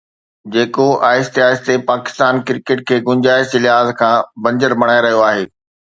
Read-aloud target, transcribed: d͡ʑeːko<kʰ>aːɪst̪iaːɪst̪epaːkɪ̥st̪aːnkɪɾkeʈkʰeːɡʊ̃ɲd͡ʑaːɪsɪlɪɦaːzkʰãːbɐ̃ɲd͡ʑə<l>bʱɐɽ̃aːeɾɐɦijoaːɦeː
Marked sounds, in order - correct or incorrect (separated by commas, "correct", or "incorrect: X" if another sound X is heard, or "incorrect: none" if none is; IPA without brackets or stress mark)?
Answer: incorrect: none, incorrect: ɾ